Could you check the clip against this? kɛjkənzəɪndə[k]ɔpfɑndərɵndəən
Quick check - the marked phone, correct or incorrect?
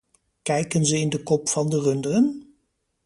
correct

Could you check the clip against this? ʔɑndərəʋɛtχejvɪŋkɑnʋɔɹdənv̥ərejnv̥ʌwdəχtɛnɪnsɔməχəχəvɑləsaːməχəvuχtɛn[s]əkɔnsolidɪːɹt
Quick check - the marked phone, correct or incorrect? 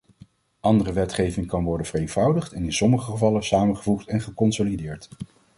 incorrect: χ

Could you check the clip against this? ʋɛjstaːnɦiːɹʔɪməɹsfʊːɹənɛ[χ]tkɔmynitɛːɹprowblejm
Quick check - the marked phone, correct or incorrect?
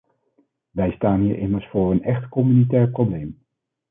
correct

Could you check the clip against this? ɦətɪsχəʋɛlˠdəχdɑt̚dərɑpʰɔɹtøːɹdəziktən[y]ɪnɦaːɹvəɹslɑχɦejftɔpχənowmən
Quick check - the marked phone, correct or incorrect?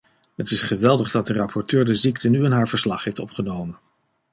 correct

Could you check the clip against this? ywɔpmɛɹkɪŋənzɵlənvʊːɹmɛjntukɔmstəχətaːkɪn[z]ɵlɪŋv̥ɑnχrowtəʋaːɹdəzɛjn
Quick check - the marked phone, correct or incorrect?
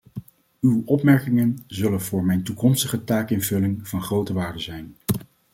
incorrect: v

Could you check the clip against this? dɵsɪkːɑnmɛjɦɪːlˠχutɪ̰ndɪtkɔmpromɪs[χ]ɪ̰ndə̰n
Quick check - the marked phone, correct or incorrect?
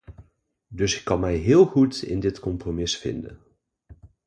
incorrect: f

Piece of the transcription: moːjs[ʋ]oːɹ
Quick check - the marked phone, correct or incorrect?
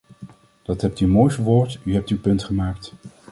correct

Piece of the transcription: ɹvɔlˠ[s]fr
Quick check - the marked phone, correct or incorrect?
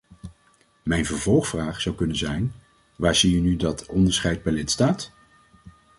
incorrect: χ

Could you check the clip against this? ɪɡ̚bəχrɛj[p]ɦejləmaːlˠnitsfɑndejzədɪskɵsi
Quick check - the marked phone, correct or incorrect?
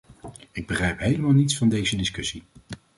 correct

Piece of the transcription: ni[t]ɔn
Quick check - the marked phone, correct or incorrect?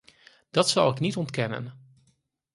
correct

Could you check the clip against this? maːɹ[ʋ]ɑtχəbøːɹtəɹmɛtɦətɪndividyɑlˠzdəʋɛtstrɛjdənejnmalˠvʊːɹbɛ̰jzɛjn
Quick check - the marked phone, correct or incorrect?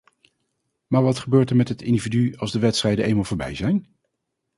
correct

